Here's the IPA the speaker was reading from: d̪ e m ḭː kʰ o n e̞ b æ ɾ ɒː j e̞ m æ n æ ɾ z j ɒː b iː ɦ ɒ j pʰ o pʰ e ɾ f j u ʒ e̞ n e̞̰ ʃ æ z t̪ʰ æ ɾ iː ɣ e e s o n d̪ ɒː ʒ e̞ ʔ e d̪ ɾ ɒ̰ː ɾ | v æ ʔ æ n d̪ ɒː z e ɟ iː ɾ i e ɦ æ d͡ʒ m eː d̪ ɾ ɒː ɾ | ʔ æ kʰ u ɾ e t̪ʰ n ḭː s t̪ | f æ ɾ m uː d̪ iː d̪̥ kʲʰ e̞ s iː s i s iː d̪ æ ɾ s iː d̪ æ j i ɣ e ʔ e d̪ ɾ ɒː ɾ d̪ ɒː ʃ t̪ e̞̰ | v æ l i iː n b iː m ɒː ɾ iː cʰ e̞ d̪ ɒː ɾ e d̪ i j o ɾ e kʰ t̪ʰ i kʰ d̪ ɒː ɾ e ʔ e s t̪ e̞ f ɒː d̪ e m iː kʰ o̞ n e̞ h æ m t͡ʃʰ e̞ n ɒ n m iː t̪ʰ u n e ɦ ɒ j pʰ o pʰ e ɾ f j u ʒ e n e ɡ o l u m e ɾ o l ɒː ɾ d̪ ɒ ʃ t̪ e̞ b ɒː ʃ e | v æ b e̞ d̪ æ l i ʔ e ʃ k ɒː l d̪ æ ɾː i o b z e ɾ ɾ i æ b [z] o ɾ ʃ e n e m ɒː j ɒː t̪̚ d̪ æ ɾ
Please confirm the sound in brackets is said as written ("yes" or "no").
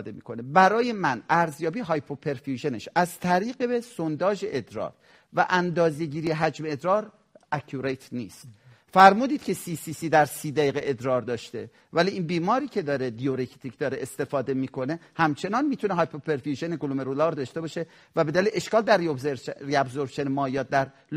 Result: yes